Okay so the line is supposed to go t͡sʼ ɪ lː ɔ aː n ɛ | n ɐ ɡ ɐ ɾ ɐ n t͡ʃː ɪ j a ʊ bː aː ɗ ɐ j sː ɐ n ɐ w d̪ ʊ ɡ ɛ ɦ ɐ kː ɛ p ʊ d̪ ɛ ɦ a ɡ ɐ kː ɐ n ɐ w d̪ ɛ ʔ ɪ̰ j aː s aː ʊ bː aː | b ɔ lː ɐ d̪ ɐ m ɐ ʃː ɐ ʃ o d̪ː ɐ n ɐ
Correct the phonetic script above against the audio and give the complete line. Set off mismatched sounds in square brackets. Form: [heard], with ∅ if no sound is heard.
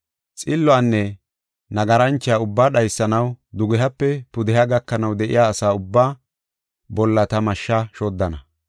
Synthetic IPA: t͡sʼ ɪ lː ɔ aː [nː] ɛ | n ɐ ɡ ɐ ɾ ɐ n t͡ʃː ɪ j a ʊ bː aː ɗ ɐ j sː ɐ n ɐ w d̪ ʊ ɡ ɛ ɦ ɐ [pː] ɛ p ʊ d̪ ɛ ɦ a ɡ ɐ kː ɐ n ɐ w d̪ ɛ ʔ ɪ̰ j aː s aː ʊ bː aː | b ɔ lː ɐ [t̪] ɐ m ɐ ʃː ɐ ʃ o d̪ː ɐ n ɐ